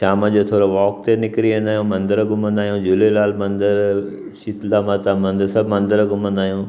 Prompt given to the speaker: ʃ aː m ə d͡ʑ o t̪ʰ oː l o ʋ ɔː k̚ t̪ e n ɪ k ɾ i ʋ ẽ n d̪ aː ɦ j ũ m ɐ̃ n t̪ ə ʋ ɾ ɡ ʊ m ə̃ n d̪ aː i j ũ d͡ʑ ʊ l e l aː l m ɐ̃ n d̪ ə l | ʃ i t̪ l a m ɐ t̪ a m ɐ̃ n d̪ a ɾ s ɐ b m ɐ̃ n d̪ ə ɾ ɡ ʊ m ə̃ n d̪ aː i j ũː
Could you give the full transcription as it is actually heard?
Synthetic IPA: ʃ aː m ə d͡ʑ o t̪ʰ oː ɾ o ʋ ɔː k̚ t̪ e n ɪ k ɾ i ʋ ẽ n d̪ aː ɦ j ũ m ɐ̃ n d̪ ə ɾ ɡ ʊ m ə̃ n d̪ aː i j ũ d͡ʑ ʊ l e l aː l m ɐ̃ n d̪ ə ɾ | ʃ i t̪ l a m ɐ t̪ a m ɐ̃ n d̪ ə ɾ s ɐ b m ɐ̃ n d̪ ə ɾ ɡ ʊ m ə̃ n d̪ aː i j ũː

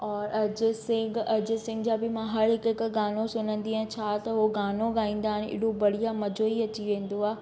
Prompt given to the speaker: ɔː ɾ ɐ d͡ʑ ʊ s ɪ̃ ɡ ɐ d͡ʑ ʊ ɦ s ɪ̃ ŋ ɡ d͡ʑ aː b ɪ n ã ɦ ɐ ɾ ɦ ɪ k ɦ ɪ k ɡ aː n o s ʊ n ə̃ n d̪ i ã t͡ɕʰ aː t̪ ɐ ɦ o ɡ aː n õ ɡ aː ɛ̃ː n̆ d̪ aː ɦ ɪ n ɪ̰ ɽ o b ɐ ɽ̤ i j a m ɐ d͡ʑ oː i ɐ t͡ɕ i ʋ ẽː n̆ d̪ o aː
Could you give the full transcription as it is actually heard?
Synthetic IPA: ɔː ɾ ɐ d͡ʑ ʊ s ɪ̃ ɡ ɐ d͡ʑ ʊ s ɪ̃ ŋ ɡ d͡ʑ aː b ɪ m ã ɦ ɐ ɾ ɦ ɪ k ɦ ɪ k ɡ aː n o s ʊ n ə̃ n d̪ i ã t͡ɕʰ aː t̪ ɐ ɦ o ɡ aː n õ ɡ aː ĩː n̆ d̪ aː ɦ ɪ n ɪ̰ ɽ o b ɐ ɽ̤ i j a m ɐ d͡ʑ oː i ɐ t͡ɕ i ʋ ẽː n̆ d̪ o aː

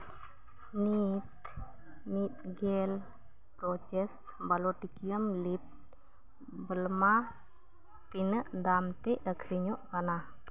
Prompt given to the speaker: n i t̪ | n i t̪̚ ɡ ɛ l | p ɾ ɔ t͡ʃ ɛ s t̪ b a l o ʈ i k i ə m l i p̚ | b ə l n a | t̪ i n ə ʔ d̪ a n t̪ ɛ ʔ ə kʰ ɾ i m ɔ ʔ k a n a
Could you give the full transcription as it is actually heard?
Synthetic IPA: n i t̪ | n i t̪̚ ɡ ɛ l | p ɾ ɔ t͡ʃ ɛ s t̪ b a l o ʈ i k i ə m l i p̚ | b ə l m a | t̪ i n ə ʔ d̪ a m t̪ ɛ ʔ ə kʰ ɾ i ɲ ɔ ʔ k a n a

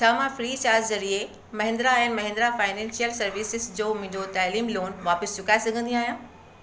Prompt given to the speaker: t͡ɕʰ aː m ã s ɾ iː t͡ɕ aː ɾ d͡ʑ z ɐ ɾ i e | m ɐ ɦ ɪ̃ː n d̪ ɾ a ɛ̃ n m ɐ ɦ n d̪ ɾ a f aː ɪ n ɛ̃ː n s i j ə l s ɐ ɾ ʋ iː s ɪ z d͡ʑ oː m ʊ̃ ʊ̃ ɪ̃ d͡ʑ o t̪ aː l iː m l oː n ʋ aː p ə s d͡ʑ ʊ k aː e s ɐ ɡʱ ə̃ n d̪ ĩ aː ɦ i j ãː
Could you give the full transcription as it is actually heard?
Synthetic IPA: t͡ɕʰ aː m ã f ɾ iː t͡ɕ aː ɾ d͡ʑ z ɐ ɾ i e | m ɐ ɦ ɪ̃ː n d̪ ɾ a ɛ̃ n m ɐ ɦ n d̪ ɾ a f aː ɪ n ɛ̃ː n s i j ə l s ɐ ɾ ʋ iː s ɪ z d͡ʑ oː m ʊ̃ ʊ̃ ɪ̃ d͡ʑ o t̪ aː l iː m l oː n ʋ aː p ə s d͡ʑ ʊ k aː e s ɐ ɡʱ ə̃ n d̪ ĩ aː ɦ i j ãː

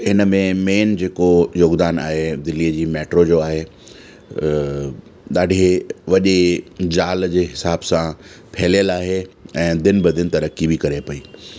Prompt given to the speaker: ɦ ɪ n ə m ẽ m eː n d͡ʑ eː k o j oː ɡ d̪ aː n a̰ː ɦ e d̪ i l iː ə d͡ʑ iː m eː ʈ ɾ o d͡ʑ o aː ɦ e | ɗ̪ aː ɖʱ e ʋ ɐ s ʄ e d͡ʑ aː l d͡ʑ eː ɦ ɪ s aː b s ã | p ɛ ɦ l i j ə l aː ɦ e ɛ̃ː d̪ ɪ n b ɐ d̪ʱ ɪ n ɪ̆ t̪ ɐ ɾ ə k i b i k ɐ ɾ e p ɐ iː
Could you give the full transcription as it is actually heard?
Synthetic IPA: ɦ ɪ n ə m ẽ m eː n d͡ʑ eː k o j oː ɡ d̪ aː n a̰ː ɦ e d̪ ɪ l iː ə d͡ʑ iː m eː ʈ ɾ o d͡ʑ o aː ɦ e | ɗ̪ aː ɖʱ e ʋ ɐ ʄ e d͡ʑ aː l d͡ʑ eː ɦ ɪ s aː b s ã | pʰ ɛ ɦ l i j ə l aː ɦ e ɛ̃ː d̪ ɪ n b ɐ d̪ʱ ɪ n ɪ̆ t̪ ɐ ɾ ə k i b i k ɐ ɾ e p ɐ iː

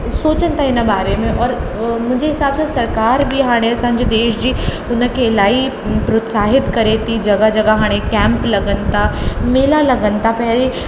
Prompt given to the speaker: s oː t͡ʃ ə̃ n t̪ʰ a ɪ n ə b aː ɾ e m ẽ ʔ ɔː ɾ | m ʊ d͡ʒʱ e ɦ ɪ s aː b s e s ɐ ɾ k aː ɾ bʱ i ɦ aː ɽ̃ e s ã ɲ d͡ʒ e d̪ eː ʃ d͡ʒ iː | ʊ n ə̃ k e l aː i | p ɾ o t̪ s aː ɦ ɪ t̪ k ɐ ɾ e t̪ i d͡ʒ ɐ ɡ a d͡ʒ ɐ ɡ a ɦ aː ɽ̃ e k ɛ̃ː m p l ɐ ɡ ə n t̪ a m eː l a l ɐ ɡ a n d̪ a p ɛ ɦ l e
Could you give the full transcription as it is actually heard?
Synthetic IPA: s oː t͡ʃ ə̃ n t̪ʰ a ɪ n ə b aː ɾ e m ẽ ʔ ɔː ɾ | m ʊ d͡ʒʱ e ɦ ɪ s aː b s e s ɐ ɾ k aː ɾ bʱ i ɦ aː ɽ̃ e s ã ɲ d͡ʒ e d̪ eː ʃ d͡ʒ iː | ʊ n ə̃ k e l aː i | p ɾ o t̪ s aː ɦ ɪ t̪ k ɐ ɾ e t̪ i d͡ʒ ɐ ɡ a d͡ʒ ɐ ɡ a ɦ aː ɽ̃ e k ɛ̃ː m p l ɐ ɡ ə n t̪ a m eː l a l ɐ ɡ ə n t̪ a p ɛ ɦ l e

